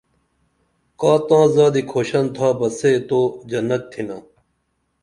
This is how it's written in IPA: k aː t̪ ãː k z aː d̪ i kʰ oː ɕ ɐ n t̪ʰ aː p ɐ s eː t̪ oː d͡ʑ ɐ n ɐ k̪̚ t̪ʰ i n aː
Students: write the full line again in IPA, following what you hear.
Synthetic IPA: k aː t̪ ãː z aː d̪ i kʰ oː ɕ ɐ n t̪ʰ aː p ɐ s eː t̪ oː d͡ʑ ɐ n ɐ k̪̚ t̪ʰ i n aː